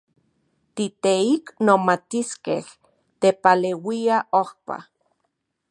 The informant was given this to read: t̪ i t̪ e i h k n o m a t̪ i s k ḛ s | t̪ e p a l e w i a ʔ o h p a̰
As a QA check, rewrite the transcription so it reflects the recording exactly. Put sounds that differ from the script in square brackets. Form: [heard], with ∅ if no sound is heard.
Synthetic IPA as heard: t̪ i t̪ e i [∅] k n o m a t̪ i s k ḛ [h] | t̪ e p a l e w i a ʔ o h p a̰